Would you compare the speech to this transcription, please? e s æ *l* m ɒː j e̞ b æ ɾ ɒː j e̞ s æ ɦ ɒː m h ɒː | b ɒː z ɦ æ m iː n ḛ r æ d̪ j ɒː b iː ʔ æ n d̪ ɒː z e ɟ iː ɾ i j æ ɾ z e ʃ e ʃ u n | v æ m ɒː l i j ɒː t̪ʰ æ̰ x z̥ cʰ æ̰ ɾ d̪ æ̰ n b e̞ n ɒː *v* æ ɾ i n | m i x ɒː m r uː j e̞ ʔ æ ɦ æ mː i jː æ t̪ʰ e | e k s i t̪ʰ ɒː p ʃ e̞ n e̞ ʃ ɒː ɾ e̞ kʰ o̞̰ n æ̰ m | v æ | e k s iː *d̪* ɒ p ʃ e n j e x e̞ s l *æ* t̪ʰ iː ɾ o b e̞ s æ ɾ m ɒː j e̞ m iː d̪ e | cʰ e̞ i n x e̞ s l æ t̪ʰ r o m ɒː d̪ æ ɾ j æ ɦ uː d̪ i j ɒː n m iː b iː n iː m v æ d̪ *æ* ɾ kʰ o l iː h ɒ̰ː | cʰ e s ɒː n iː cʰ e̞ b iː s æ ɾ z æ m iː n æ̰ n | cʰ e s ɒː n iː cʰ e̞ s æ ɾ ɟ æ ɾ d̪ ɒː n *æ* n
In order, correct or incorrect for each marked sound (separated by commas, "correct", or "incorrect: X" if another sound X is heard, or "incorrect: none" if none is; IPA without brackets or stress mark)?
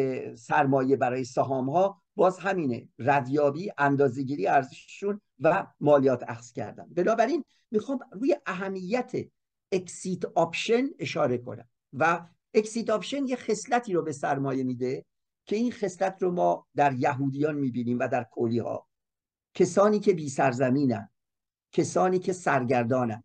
incorrect: ɾ, incorrect: b, incorrect: t̪, correct, correct, correct